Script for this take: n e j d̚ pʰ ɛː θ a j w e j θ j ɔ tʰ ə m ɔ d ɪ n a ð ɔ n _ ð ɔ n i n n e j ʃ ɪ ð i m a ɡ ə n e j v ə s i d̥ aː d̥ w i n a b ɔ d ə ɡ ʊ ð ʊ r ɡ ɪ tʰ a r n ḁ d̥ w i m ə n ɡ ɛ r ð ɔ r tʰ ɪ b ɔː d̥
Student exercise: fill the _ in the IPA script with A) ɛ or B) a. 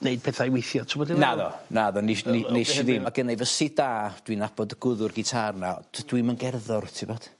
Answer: B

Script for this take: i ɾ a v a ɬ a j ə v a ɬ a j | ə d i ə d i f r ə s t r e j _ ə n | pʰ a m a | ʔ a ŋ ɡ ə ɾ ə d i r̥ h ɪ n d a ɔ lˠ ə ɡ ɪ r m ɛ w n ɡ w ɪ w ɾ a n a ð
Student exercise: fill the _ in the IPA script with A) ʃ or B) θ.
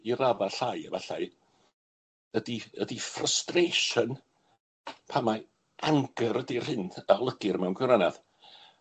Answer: A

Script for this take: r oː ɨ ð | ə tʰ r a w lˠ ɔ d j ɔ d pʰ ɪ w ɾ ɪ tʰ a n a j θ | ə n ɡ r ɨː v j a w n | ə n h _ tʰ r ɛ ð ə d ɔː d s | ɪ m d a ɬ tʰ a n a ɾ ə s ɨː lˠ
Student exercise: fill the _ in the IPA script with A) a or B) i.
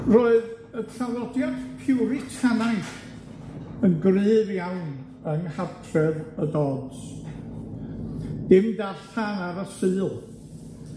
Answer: A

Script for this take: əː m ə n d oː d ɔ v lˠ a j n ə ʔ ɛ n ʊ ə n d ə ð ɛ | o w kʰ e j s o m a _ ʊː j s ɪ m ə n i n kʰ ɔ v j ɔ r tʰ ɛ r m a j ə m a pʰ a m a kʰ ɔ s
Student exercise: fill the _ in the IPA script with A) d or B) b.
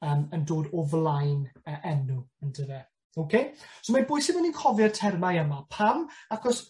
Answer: B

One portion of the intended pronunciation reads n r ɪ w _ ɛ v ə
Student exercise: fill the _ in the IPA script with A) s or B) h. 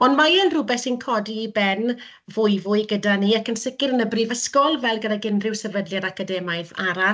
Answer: A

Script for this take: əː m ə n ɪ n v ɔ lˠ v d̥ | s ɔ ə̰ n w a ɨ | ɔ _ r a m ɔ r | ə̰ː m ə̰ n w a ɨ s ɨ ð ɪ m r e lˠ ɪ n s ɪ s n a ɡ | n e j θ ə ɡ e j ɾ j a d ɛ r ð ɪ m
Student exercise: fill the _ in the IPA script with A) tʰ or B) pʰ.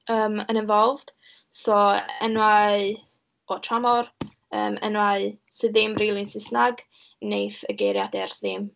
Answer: A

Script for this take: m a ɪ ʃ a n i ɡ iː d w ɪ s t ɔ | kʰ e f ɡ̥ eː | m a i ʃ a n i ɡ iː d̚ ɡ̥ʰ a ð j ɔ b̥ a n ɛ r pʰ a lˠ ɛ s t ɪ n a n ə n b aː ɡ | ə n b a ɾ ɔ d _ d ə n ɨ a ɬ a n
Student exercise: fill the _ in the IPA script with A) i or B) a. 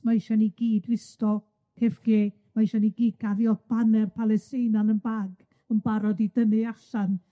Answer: A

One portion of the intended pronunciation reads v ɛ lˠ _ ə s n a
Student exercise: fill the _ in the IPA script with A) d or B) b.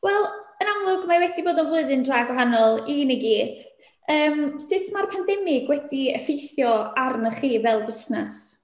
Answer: B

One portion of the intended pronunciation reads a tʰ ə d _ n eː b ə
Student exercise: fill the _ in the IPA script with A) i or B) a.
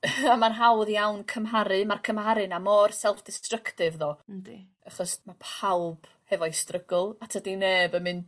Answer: A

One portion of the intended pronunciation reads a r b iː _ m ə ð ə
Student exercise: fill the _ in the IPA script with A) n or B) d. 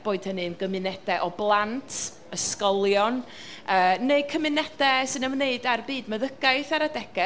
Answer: B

